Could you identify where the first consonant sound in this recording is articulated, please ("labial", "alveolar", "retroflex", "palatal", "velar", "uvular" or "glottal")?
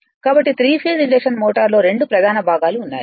velar